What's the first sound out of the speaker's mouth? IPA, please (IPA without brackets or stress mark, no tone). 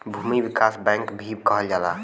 bʱ